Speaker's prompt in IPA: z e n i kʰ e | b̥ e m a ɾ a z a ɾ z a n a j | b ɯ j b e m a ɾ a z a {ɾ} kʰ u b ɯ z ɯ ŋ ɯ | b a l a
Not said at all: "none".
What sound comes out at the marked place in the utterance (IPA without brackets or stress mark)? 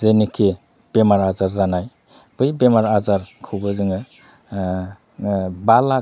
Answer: ɾ